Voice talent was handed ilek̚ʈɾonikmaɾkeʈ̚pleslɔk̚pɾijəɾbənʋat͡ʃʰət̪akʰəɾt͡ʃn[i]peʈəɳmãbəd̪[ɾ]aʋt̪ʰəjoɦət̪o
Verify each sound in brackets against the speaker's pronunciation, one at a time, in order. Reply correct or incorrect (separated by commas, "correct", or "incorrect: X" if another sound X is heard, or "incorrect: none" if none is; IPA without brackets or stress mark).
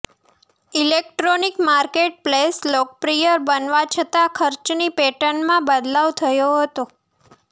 correct, incorrect: l